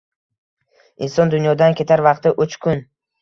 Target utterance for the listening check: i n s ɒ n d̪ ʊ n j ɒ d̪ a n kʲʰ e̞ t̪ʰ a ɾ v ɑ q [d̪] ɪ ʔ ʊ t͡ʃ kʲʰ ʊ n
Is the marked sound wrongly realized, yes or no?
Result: yes